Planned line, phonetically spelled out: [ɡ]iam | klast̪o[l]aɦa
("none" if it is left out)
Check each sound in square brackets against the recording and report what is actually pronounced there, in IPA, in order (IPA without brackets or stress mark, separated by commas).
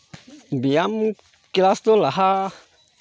b, l